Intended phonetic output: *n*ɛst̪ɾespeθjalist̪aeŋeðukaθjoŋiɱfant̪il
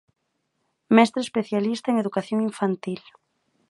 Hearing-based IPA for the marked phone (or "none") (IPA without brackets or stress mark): m